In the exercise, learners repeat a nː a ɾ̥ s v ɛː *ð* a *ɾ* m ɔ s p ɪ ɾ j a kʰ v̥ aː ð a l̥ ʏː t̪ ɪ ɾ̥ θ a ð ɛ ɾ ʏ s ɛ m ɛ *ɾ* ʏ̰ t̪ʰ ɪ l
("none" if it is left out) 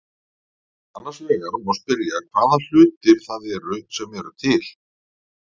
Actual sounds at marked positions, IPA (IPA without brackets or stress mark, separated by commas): ɣ, ɾ, ɾ